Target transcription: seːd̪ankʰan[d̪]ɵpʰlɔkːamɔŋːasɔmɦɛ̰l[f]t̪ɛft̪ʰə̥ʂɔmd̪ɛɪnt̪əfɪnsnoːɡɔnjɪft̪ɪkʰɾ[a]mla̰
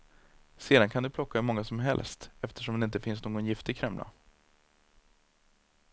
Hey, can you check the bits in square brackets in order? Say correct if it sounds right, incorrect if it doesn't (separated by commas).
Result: correct, incorrect, incorrect